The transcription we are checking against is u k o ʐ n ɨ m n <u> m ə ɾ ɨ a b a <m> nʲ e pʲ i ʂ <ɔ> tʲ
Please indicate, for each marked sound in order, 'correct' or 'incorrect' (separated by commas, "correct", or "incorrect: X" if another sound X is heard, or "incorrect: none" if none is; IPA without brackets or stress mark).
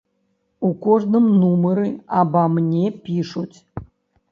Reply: correct, correct, incorrect: u